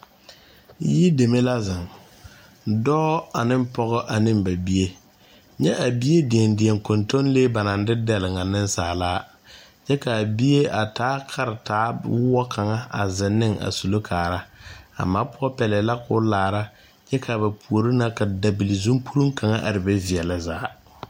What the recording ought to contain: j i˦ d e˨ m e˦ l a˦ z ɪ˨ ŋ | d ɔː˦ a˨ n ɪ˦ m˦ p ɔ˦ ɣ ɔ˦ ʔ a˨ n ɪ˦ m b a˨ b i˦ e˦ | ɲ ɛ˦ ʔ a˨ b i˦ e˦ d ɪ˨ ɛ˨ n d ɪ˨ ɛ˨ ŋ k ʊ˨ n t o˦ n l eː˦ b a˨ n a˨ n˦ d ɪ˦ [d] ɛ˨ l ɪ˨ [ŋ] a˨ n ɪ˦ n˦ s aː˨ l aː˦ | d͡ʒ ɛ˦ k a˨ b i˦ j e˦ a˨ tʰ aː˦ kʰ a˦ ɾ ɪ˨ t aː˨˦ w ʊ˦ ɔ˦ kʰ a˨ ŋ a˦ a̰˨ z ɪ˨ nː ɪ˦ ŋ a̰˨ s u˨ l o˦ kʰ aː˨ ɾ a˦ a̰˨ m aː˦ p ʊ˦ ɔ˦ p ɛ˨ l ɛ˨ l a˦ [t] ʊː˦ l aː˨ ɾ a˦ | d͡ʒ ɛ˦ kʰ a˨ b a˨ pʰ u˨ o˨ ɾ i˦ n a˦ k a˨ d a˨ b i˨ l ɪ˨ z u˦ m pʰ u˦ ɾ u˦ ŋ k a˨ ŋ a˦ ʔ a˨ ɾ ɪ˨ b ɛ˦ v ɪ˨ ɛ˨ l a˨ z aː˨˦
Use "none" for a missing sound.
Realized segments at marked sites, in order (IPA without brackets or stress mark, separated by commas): d, ŋ, k